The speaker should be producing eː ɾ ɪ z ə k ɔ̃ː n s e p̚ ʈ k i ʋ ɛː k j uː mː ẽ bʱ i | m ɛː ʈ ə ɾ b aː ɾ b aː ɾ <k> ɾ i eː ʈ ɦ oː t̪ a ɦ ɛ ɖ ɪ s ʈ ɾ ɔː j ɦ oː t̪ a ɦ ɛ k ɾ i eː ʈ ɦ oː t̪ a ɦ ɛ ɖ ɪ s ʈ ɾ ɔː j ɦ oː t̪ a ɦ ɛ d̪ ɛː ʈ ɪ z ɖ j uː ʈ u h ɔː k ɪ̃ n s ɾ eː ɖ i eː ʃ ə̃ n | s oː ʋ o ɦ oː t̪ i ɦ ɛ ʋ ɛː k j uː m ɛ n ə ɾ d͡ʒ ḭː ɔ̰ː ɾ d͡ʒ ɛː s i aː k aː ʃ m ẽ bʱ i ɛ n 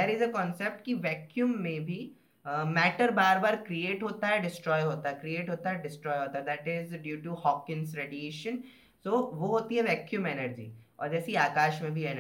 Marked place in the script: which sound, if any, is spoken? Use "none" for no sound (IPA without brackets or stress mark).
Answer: k